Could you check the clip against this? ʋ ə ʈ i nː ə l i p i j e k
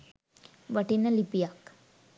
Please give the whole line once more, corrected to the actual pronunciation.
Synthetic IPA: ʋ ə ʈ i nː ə l i p i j a k